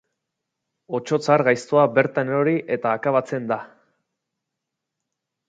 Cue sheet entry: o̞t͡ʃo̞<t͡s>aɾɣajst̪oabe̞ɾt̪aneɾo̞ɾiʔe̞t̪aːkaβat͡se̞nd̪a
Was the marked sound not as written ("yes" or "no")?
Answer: no